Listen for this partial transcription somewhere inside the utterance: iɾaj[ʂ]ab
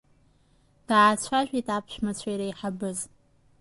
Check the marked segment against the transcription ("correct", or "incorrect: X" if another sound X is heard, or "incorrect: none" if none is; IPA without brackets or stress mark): incorrect: ħ